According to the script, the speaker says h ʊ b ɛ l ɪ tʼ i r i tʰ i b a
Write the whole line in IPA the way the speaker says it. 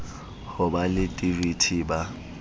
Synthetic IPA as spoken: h ʊ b a l ɪ tʼ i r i tʰ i b a